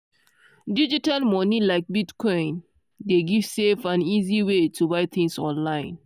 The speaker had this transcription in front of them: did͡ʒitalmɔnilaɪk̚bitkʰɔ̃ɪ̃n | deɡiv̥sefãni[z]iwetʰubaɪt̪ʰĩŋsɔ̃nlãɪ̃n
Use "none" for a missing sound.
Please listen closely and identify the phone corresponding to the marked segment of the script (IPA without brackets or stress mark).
z